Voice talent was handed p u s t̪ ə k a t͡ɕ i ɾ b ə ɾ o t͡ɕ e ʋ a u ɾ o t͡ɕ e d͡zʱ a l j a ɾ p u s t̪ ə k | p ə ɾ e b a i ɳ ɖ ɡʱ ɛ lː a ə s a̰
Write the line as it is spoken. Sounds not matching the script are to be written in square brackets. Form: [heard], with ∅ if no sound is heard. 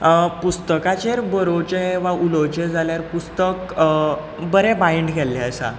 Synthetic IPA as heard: p u s t̪ ə k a t͡ɕ [e] ɾ b ə ɾ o t͡ɕ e ʋ a u [l] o t͡ɕ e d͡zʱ a l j a ɾ p u s t̪ ə k | [b] ə ɾ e b a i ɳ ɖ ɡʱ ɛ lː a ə s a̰